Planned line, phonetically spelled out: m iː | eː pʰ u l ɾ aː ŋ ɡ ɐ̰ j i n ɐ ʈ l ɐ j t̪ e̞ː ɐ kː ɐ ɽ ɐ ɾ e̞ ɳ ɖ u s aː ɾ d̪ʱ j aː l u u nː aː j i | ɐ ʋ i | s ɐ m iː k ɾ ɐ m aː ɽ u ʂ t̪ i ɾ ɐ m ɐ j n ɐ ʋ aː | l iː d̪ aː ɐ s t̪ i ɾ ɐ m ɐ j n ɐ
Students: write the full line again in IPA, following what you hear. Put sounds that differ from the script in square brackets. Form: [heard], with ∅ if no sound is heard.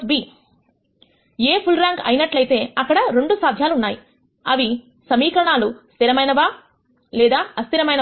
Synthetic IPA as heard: [b] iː | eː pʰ u l ɾ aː ŋ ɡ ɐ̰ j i n ɐ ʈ l ɐ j t̪ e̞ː ɐ kː ɐ ɽ ɐ ɾ e̞ ɳ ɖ u s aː [∅] d̪ʱ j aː l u u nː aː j i | ɐ ʋ i | s ɐ m iː k ɾ ɐ [ɳ] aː [l] u [s] t̪ i ɾ ɐ m ɐ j n ɐ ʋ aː | l [ɛː] d̪ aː ɐ s t̪ i ɾ ɐ m ɐ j n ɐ